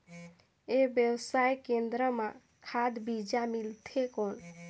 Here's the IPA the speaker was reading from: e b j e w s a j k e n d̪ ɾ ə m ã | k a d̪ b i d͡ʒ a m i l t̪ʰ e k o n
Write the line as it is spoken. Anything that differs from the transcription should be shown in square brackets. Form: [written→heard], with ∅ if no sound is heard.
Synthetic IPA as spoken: e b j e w s a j k e n d̪ ɾ ə m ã | [k→kʰ] a d̪ b i d͡ʒ a m i l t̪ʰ e k o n